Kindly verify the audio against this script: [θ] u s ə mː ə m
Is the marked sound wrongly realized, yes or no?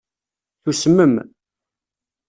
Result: no